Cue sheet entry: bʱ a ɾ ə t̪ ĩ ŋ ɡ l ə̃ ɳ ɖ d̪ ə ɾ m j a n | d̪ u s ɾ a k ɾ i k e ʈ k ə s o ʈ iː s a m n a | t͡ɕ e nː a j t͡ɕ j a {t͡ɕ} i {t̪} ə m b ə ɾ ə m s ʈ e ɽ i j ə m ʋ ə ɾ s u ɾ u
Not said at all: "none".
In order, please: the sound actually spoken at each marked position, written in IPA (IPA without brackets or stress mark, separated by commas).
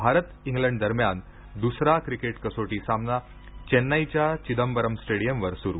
t͡ɕ, d̪